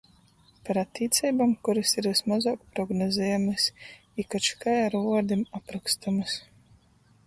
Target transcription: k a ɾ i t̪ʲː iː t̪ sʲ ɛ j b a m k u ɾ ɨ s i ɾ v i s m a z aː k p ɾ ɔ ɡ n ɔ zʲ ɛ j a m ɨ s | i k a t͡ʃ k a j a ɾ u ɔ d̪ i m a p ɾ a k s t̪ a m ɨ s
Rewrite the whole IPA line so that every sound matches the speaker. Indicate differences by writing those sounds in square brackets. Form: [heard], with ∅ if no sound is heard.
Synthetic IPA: [p] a ɾ [a] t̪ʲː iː t̪ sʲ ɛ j b a m k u ɾ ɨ s i ɾ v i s m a z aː k p ɾ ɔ ɡ n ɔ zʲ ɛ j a m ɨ s | i k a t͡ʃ k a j a ɾ u ɔ d̪ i m a p ɾ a k s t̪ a m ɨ s